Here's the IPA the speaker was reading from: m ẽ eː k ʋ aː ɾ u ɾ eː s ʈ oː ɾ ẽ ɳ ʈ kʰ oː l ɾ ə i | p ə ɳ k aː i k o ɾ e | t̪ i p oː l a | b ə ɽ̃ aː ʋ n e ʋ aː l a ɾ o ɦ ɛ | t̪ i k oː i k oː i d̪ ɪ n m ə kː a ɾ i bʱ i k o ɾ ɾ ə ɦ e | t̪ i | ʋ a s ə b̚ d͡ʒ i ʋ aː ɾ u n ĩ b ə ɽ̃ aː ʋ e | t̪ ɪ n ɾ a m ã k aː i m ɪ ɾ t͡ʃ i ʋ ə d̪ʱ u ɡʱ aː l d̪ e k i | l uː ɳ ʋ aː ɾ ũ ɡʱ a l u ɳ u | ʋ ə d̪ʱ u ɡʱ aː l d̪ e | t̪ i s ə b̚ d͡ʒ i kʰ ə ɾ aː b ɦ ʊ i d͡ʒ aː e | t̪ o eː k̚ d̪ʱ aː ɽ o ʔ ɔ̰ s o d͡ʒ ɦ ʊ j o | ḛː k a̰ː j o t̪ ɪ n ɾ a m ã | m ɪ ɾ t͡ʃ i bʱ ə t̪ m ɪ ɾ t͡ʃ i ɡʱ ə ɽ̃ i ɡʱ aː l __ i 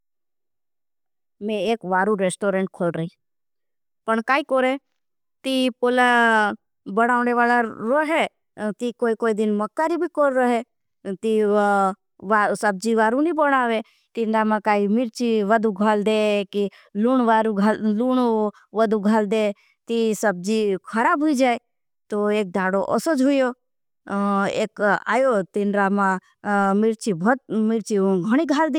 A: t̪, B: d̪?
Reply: B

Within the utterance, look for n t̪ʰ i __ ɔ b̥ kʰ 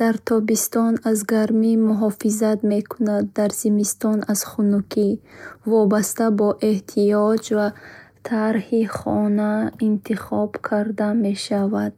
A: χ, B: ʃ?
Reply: A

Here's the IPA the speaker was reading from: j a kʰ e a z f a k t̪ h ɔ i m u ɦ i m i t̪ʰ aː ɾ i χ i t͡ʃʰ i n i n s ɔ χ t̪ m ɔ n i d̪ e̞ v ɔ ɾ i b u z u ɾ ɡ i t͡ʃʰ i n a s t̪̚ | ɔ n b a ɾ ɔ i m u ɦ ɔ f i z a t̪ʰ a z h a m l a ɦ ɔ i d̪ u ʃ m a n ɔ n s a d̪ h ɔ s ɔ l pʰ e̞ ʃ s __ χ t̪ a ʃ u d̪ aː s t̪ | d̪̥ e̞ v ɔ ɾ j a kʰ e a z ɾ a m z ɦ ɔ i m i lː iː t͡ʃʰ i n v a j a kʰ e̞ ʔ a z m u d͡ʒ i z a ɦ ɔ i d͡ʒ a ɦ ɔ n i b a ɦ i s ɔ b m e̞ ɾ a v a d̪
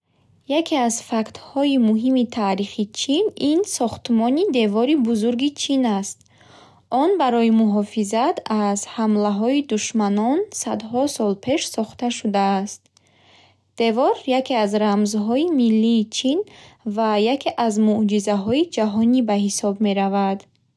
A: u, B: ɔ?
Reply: B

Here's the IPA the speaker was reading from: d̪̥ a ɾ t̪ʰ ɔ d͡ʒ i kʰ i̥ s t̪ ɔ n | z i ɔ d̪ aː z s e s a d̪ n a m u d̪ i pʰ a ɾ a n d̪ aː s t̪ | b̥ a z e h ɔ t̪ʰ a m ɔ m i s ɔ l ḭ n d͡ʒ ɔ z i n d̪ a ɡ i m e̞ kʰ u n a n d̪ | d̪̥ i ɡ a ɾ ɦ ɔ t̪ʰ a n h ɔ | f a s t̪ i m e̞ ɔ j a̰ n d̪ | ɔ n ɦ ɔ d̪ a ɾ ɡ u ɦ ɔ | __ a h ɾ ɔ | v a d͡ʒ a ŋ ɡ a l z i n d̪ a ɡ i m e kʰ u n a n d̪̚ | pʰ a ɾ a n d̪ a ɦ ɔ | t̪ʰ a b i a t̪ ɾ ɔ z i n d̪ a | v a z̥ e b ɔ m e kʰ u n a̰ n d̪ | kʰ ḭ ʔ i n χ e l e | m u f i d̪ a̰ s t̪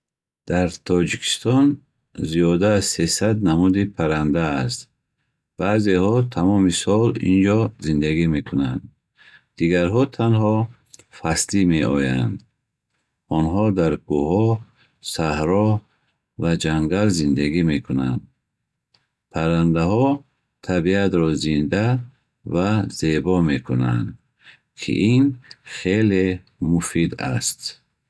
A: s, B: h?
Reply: A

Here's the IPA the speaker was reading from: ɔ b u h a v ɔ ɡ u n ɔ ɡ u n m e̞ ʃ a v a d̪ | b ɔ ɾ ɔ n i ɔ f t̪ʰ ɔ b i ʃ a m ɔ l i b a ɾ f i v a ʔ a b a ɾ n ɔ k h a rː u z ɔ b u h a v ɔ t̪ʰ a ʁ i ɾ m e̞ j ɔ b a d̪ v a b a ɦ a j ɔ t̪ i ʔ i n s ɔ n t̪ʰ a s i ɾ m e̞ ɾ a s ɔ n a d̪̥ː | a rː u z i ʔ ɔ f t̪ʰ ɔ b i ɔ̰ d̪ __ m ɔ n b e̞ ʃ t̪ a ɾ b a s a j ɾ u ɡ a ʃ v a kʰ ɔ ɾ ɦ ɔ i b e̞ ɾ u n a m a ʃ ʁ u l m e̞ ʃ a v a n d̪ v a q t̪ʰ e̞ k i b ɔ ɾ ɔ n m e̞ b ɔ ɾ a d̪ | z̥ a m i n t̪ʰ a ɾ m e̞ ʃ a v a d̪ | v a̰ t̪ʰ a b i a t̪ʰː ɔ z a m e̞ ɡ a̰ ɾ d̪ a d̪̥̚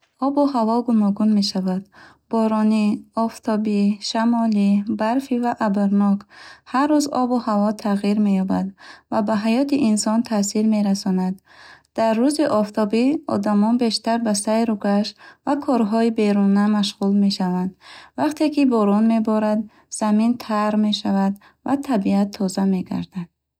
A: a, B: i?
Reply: A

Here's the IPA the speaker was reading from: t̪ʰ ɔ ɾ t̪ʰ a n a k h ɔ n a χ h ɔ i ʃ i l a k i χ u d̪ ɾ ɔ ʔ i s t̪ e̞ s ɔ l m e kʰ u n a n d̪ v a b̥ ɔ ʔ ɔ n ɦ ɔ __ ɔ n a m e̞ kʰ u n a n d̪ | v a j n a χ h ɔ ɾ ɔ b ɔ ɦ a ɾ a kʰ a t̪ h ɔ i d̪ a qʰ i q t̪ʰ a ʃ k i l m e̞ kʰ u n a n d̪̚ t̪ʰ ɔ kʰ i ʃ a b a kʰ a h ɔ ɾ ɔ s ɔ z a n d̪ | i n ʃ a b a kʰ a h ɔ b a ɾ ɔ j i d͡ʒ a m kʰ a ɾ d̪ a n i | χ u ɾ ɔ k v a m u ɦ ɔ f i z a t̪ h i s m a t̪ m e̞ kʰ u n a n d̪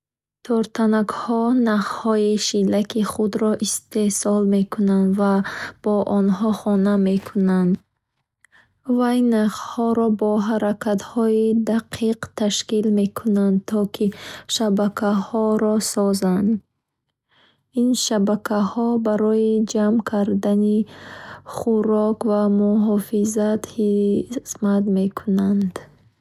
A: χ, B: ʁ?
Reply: A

